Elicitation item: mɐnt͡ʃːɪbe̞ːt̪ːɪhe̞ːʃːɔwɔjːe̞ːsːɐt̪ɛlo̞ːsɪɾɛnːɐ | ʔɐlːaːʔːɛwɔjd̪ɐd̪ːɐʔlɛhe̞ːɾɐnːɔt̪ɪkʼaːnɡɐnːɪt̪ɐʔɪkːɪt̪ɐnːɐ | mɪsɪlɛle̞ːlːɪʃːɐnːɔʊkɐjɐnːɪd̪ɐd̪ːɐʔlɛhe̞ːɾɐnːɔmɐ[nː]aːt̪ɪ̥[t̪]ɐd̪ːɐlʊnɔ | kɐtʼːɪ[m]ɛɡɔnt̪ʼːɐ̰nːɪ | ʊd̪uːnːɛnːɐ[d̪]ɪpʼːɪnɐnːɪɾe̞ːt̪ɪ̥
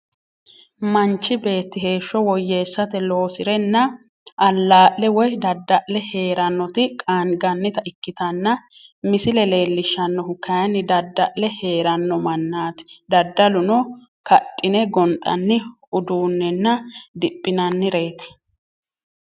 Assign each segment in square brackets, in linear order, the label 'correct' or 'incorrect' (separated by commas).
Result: correct, incorrect, incorrect, correct